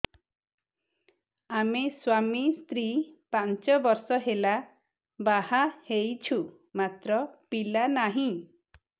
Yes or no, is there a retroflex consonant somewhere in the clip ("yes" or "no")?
no